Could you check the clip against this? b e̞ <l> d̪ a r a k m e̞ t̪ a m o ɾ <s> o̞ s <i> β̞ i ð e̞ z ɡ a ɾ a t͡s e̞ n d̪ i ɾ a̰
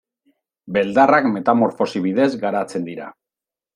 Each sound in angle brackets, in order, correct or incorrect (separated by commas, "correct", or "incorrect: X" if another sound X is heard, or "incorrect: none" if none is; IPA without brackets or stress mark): correct, incorrect: f, correct